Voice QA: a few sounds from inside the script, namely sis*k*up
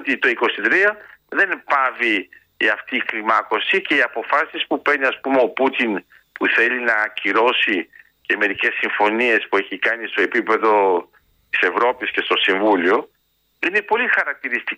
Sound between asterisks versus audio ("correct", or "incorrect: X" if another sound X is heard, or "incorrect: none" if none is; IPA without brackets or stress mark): incorrect: p